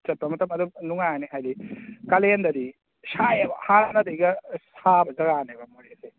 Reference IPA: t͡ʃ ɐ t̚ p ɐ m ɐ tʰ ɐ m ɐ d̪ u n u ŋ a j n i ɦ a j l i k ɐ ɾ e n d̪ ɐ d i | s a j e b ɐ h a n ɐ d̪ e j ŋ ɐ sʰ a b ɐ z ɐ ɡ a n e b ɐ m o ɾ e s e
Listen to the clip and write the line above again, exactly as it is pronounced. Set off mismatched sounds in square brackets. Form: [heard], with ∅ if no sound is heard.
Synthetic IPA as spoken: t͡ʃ ɐ t̚ p ɐ m ɐ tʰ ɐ m ɐ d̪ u n u ŋ a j n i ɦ a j l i k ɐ [l] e n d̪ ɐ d i | s a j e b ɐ h a n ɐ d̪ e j [ɡ] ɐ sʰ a b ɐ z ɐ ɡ a n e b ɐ m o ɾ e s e